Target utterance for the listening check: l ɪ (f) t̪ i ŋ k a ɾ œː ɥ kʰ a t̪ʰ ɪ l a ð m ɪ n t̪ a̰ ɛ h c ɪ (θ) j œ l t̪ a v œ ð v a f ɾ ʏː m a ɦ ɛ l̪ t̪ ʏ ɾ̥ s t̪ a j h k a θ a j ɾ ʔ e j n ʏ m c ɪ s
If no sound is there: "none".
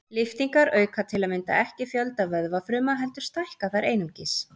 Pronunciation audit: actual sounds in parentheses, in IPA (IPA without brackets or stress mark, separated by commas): f, f